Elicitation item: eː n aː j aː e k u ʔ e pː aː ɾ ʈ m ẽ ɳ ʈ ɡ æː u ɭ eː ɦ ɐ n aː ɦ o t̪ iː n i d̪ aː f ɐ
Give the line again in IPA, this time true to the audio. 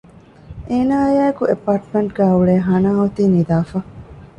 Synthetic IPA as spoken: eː n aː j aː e k u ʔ e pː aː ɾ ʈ m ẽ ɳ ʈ ɡ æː u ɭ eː ɦ ɐ n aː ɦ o t̪ iː n i d̪ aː f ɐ